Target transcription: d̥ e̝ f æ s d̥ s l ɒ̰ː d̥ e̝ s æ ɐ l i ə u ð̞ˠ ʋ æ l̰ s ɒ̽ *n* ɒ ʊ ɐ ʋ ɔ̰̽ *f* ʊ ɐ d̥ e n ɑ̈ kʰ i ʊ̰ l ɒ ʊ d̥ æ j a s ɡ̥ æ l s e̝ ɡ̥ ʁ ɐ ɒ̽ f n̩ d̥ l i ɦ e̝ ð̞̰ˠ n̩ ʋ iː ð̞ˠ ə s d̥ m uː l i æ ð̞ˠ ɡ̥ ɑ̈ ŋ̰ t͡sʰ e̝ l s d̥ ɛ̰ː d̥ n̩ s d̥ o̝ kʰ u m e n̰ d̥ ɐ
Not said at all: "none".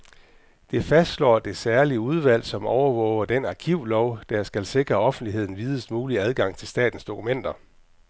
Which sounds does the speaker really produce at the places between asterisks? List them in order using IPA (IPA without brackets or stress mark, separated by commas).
m, none